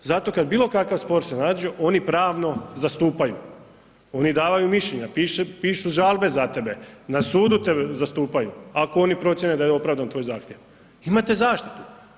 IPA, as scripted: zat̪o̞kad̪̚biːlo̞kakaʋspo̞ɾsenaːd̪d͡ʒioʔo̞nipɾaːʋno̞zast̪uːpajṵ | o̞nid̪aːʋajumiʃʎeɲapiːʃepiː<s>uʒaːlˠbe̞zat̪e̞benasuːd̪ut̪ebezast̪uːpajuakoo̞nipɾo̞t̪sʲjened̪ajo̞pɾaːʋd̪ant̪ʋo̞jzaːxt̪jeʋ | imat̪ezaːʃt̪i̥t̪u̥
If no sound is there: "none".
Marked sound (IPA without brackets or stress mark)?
ʃ